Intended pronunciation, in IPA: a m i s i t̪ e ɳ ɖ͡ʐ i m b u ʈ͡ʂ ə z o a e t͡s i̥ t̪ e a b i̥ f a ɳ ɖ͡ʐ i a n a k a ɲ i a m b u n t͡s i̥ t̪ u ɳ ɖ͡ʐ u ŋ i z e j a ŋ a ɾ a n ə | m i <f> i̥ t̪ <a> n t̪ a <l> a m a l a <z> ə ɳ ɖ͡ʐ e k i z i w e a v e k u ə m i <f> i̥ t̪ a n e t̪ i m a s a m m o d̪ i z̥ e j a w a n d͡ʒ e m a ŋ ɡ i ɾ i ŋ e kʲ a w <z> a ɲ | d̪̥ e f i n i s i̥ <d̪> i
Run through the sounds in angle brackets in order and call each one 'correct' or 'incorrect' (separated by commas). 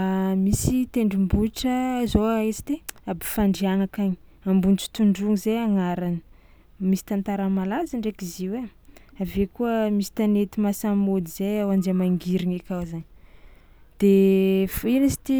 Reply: incorrect, correct, incorrect, correct, incorrect, correct, incorrect